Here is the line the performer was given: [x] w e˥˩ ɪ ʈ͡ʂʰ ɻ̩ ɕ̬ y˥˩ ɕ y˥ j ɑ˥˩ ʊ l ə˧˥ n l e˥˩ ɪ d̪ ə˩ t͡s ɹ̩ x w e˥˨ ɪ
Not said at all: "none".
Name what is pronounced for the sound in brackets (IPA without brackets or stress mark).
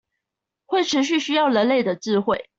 x